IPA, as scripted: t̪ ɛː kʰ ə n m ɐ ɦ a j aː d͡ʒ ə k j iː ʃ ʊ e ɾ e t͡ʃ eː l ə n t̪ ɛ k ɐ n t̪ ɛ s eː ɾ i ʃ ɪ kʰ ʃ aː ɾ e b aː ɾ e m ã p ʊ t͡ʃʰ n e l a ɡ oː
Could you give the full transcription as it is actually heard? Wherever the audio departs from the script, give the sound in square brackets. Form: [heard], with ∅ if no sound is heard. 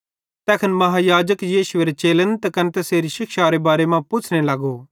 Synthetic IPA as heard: t̪ ɛː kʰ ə n m ɐ ɦ a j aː d͡ʒ ə k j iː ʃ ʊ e ɾ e t͡ʃ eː l ə n t̪ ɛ k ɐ n t̪ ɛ s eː ɾ i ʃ ɪ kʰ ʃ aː ɾ e b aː ɾ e m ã p ʊ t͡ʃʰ n e l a ɡ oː